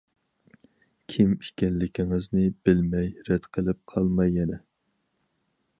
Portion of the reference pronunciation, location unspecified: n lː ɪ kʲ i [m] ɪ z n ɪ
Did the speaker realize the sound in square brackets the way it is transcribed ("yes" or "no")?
no